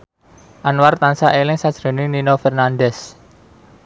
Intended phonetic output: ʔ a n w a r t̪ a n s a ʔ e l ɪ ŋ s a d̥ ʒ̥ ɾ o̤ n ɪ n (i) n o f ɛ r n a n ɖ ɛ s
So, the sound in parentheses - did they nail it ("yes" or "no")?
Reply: yes